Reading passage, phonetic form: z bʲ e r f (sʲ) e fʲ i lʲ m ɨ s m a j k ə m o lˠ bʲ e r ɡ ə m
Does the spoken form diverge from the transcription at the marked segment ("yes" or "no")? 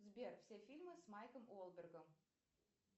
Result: no